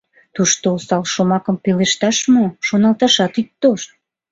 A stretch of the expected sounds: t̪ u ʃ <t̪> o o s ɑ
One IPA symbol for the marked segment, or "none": t̪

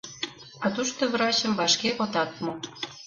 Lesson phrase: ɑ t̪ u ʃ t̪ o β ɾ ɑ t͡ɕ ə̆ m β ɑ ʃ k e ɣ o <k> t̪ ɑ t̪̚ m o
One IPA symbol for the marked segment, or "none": none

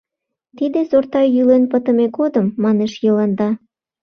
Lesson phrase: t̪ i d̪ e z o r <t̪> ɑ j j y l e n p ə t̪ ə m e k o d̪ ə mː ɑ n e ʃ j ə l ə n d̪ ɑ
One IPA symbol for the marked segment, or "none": t̪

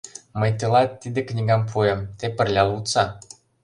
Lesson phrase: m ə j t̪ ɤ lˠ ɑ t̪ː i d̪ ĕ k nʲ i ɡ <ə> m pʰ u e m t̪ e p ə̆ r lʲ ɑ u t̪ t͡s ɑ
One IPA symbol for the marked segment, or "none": ɑ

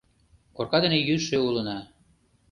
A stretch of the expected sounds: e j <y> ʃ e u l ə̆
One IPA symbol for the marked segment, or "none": y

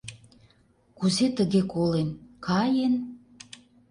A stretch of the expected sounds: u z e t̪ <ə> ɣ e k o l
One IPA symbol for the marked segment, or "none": ə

